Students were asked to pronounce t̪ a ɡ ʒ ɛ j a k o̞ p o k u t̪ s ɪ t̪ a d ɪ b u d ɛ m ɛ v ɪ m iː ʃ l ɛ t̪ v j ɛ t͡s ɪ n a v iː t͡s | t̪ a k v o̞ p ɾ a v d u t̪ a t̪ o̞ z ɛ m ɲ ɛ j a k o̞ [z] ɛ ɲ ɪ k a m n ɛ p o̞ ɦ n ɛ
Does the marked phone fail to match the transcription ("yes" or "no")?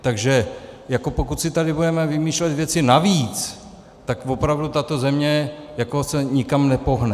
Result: yes